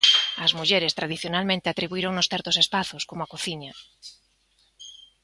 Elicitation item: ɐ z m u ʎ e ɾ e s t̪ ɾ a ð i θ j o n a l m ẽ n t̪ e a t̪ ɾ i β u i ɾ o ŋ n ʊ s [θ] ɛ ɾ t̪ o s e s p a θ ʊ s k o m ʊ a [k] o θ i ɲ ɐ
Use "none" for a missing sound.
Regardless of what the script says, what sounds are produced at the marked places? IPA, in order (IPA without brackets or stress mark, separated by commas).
θ, k